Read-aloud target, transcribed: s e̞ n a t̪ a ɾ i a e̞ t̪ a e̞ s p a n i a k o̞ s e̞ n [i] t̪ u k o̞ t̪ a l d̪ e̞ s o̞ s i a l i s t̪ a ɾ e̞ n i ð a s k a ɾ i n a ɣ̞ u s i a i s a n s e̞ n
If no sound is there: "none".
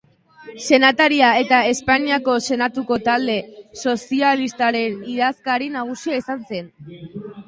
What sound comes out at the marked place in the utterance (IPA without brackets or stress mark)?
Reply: a